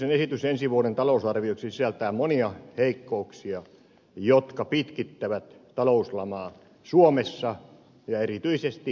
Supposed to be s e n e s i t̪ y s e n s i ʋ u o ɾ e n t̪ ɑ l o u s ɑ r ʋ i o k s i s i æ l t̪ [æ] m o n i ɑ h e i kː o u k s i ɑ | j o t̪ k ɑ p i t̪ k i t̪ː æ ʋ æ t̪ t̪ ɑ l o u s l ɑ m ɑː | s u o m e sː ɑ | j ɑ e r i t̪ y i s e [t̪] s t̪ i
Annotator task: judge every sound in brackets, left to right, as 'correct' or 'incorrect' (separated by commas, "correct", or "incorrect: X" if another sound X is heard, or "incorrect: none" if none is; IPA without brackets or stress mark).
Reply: incorrect: æː, incorrect: none